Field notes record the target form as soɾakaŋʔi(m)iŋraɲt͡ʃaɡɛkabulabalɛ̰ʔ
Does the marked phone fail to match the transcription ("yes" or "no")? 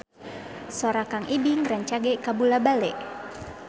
yes